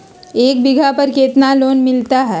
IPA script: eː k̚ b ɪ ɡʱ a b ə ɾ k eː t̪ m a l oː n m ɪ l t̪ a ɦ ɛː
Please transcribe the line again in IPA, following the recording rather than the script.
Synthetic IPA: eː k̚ b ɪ ɡʱ a p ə ɾ k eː t̪ n a l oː n m ɪ l t̪ a ɦ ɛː

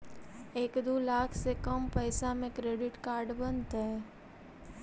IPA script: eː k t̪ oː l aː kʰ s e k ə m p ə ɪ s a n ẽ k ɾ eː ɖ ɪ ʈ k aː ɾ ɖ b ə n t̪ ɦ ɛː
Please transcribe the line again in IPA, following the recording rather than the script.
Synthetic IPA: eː k d̪ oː l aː kʰ s e k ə m p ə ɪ s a m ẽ k ɾ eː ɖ ɪ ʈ k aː ɾ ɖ b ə n t̪ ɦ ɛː

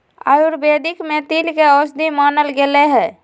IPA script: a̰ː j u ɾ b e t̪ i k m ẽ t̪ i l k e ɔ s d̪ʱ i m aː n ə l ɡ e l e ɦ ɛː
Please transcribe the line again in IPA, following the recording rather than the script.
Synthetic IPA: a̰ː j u ɾ b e d̪ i k m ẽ t̪ i l k e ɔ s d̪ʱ i m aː n ə l ɡ e l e ɦ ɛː

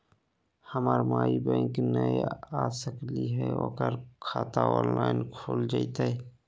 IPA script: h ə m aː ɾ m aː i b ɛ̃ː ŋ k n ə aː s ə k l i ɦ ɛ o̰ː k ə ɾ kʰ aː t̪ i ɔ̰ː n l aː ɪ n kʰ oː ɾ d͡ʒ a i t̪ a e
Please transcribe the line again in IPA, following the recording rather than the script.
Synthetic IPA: h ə m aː ɾ m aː i b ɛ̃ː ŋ k n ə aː s ə k l i ɦ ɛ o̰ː k ə ɾ kʰ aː t̪ a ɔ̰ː n l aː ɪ n kʰ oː l d͡ʒ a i t̪ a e

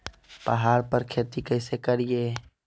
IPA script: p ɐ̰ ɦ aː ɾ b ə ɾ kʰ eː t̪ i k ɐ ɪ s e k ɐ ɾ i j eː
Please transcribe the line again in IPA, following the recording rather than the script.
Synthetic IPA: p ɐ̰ ɦ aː ɾ p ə ɾ kʰ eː t̪ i k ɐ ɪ s e k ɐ ɾ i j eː

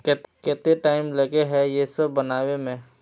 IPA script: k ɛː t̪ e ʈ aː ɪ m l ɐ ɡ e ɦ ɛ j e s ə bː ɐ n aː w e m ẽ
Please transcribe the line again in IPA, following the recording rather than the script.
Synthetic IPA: k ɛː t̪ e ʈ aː ɪ m l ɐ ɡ e ɦ ɛ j e s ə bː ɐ n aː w e m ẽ

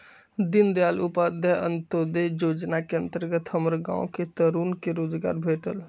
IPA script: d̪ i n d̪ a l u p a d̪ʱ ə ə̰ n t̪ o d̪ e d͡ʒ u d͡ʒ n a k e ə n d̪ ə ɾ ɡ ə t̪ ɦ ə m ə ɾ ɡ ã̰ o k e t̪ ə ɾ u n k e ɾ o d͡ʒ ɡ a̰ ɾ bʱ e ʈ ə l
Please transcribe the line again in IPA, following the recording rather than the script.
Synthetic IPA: d̪ i n d̪ a l u p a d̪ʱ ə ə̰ n t̪ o d̪ e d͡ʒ o d͡ʒ n a k e ə n t̪ ə ɾ ɡ ə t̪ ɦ ə m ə ɾ ɡ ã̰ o k e t̪ ə ɾ u n k e ɾ o d͡ʒ ɡ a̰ ɾ bʱ e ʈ ə l

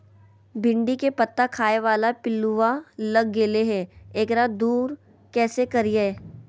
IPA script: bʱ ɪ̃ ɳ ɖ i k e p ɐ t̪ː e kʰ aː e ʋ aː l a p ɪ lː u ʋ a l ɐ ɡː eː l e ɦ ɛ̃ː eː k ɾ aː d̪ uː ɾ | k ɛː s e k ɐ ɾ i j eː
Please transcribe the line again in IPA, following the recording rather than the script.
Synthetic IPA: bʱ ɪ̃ ɳ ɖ i k e p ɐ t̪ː a kʰ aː e ʋ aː l a p ɪ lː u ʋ a l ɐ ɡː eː l e ɦ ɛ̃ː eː k ɾ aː d̪ uː ɾ | k ɛː s e k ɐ ɾ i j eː

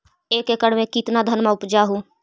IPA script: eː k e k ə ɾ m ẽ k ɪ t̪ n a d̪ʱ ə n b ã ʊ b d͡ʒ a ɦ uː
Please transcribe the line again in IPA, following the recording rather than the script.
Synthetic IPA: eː k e k ə ɽ m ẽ k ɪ t̪ n a d̪ʱ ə n m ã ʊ p d͡ʒ a ɦ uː

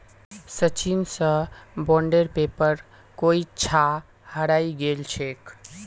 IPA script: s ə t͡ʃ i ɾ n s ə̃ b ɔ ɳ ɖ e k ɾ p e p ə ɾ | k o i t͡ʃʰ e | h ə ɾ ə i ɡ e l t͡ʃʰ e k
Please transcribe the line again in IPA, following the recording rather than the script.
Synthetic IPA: s ə t͡ʃ i n s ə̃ b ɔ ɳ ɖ e ɾ p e p ə ɾ | k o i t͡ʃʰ a | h ə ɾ a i ɡ e l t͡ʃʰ e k

